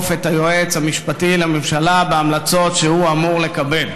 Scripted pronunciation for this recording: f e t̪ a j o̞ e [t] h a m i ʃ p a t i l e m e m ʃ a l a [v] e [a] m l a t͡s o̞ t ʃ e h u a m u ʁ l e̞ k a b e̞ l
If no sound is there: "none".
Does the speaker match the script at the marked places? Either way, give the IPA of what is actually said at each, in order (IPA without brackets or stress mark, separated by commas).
t͡s, b, a